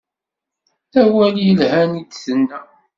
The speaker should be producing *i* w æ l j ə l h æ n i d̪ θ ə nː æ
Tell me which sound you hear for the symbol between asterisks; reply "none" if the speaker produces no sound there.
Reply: æ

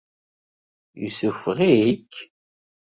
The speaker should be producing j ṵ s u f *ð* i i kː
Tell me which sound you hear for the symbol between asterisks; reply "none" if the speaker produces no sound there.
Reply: ʁ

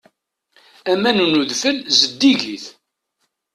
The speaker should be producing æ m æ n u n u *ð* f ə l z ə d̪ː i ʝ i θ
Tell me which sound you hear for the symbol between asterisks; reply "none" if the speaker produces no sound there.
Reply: ð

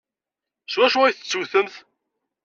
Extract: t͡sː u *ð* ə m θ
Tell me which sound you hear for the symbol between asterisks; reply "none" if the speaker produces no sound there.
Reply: θ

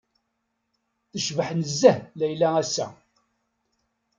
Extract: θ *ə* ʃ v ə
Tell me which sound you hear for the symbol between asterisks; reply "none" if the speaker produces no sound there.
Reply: ə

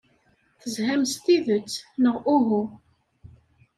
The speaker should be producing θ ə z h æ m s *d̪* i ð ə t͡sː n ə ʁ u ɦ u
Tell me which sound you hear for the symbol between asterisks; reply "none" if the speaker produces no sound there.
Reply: t̪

